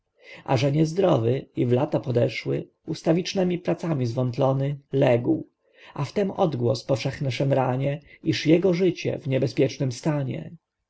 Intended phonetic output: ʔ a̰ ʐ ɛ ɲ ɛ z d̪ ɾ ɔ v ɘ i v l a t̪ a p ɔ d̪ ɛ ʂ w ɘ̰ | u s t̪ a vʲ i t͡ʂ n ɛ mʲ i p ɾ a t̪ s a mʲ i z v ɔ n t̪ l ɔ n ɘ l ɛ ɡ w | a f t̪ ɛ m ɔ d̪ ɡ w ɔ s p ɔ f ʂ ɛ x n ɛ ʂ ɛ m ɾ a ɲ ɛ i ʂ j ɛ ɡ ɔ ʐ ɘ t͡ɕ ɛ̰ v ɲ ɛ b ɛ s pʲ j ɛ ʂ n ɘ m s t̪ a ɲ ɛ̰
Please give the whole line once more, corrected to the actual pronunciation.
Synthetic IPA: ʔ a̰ ʐ ɛ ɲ ɛ z d̪ ɾ ɔ v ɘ i v l a t̪ a p ɔ d̪ ɛ ʂ w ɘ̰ | u s t̪ a vʲ i t͡ʂ n ɛ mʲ i p ɾ a t̪ s a mʲ i z v ɔ n t̪ l ɔ n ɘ l ɛ ɡ w | a f t̪ ɛ m ɔ d̪ ɡ w ɔ s p ɔ f ʂ ɛ x n ɛ ʂ ɛ m ɾ a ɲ ɛ i ʂ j ɛ ɡ ɔ ʐ ɘ t͡ɕ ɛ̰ v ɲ ɛ b ɛ s pʲ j ɛ t͡ʂ n ɘ m s t̪ a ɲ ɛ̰